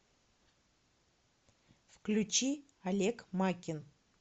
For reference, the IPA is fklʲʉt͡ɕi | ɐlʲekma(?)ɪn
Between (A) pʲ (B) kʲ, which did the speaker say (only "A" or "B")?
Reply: B